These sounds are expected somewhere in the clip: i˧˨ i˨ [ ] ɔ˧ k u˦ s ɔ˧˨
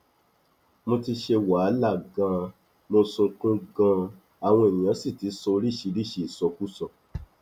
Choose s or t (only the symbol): s